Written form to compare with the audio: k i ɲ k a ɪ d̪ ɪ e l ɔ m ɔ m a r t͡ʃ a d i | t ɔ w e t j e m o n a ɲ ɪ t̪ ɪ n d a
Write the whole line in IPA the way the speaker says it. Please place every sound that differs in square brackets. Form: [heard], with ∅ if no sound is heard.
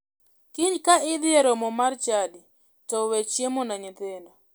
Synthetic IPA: k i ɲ k a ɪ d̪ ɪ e [ɾ] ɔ m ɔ m a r t͡ʃ a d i | t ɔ w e [t͡ʃ] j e m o n a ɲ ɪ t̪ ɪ n d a

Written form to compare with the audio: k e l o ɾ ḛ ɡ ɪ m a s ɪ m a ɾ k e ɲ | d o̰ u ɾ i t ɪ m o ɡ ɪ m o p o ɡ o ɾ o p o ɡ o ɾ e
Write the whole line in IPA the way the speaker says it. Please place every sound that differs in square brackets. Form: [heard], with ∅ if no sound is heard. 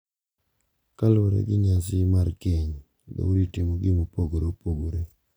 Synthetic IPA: k [a] l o ɾ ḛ ɡ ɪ [ɲ] a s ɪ m a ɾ k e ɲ | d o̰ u ɾ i t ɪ m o ɡ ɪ m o p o ɡ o ɾ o p o ɡ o ɾ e

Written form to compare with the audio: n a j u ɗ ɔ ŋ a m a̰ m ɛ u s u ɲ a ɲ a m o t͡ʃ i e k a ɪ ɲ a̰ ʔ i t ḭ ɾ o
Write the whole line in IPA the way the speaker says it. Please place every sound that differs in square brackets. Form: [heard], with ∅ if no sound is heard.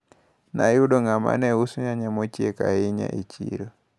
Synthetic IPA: n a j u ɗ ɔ ŋ a m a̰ [n] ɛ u s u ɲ a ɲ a m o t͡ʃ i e k a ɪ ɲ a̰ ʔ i [t͡ʃ] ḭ ɾ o

